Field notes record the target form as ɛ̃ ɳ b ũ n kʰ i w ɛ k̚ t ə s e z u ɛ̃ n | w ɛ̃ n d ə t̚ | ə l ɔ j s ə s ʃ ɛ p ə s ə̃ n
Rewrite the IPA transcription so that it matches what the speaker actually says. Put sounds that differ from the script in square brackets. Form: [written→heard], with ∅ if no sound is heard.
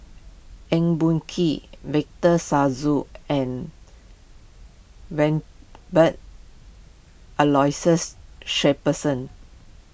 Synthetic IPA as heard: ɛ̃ [ɳ→ŋ] b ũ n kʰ i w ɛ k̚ t ə s [e→a] z u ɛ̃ n | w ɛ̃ n [d→b] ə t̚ | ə l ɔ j s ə s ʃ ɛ p ə s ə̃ n